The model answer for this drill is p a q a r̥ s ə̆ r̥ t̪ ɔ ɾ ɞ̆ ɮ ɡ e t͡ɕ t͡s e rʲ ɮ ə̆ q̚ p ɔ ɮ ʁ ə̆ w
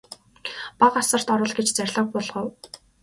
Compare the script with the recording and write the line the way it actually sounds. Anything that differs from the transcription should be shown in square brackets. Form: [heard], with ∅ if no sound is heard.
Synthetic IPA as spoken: p a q a [∅] s ə̆ r̥ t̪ ɔ ɾ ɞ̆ ɮ ɡ e t͡ɕ t͡s [æ] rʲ ɮ ə̆ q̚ p ɔ ɮ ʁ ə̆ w